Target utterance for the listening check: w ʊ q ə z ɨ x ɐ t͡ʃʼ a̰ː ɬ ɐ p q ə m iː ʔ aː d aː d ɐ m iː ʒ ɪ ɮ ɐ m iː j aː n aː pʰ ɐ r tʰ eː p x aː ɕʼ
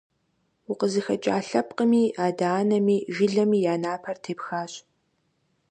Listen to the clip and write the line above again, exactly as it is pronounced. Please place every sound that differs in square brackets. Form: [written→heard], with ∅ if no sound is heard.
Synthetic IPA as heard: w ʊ q ə z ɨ x ɐ t͡ʃʼ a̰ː ɬ ɐ p q ə m iː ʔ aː d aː [d→n] ɐ m iː ʒ ɪ ɮ ɐ m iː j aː n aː pʰ ɐ r tʰ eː p x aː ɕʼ